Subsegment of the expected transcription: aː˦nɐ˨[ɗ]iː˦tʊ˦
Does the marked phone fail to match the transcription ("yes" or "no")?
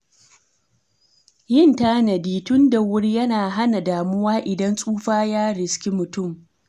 yes